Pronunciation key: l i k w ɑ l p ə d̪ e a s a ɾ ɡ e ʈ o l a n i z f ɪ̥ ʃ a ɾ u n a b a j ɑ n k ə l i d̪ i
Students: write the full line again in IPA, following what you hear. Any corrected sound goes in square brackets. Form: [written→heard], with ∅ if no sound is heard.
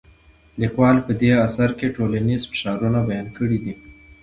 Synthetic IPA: l i k w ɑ l p ə d̪ e a s a ɾ [ɡ→k] e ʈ o l a n i z f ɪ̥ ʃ [a→ɑ] ɾ u n a b a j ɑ n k ə [l→ɽ] i d̪ i

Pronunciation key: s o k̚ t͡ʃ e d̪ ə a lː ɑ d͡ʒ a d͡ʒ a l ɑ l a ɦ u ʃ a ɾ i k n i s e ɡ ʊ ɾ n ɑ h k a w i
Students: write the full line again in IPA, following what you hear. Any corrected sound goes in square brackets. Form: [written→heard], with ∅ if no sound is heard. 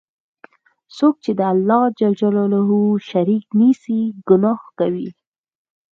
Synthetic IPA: s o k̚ t͡ʃ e d̪ ə a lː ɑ d͡ʒ a d͡ʒ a l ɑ l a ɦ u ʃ a ɾ i k n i s [e→i] ɡ ʊ [ɾ→∅] n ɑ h k a w i

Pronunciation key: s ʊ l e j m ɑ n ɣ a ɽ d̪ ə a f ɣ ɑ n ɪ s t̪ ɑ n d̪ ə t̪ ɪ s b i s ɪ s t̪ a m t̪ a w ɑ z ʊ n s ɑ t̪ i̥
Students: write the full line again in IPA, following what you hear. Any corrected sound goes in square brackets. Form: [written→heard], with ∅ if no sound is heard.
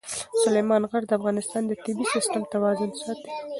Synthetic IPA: s ʊ l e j m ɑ n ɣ a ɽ d̪ ə a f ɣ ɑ n ɪ s t̪ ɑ n d̪ ə t̪ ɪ [s→∅] b i s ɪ s t̪ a m t̪ a w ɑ z ʊ n s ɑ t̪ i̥

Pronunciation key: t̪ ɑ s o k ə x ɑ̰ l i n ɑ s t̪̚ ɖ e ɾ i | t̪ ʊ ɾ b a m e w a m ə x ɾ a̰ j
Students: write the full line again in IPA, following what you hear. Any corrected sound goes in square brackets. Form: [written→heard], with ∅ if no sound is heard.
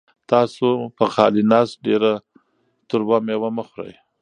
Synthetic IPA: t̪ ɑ s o [k→p] ə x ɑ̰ l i n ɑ s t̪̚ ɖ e ɾ [i→a] | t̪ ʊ ɾ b a m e w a m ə x ɾ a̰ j

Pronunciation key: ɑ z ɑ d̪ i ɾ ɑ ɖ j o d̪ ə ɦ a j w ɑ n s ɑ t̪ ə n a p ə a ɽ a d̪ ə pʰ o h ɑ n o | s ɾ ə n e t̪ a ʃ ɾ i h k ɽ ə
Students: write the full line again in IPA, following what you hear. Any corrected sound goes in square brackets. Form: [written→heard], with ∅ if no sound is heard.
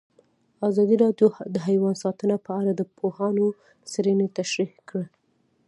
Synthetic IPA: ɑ z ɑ d̪ i ɾ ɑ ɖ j o d̪ ə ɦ a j w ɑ n s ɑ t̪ ə n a p ə a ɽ a d̪ ə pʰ o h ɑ n o | s ɾ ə n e t̪ a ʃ ɾ i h k ɽ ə

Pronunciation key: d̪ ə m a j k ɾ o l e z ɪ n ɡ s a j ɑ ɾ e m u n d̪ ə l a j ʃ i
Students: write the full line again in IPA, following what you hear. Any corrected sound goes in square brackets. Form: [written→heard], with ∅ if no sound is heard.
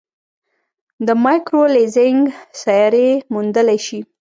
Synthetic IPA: d̪ ə m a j k ɾ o l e z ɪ [n→ŋ] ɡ s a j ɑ ɾ e m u n d̪ ə l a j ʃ i

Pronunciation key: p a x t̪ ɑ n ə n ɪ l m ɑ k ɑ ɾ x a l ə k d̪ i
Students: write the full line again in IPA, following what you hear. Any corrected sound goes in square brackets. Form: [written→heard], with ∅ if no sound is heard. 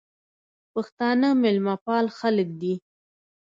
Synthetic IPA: p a x t̪ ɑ n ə [n→m] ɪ l m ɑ [k→p] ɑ [ɾ→l] x a l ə k d̪ i

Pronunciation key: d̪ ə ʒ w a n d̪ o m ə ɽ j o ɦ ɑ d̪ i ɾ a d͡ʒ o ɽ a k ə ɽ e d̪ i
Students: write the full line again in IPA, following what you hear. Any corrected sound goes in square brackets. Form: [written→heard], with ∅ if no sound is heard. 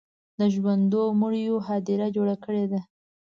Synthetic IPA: d̪ ə ʒ w a n d̪ o m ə ɽ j o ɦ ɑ d̪ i ɾ a d͡ʒ o ɽ a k ə ɽ e d̪ [i→a]

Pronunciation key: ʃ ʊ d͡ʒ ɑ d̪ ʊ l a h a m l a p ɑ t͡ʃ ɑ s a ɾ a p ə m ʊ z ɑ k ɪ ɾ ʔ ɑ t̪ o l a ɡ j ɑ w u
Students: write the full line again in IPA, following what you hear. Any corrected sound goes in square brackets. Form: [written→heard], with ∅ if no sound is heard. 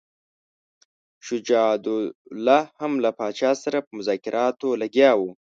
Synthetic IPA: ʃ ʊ d͡ʒ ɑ d̪ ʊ l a h a m l a p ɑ t͡ʃ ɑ s a ɾ a p ə m ʊ z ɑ k ɪ ɾ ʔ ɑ t̪ o l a ɡ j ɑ w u

